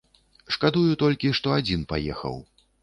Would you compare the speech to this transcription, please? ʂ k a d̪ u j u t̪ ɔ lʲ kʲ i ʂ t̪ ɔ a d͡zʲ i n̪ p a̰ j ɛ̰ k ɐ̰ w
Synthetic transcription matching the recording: ʂ k a d̪ u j u t̪ ɔ lʲ kʲ i ʂ t̪ ɔ a d͡zʲ i n̪ p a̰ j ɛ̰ x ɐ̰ w